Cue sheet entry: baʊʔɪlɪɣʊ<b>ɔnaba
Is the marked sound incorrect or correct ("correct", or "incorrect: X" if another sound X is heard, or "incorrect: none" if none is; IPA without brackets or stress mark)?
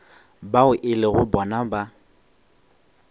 correct